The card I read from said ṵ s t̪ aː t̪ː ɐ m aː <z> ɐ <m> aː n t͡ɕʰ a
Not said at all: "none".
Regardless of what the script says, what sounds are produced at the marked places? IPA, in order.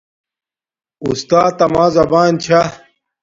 z, b

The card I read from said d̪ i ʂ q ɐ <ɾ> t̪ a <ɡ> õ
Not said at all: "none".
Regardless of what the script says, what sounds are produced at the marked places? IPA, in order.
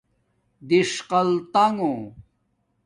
l, ŋ

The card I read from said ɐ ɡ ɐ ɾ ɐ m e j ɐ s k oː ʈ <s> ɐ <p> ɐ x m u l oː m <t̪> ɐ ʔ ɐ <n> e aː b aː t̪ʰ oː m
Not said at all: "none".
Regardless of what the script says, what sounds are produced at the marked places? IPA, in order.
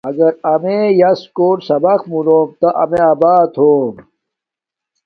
s, b, t̪, m

